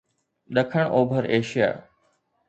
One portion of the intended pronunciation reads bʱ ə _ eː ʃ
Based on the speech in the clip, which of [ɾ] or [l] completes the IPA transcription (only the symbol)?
ɾ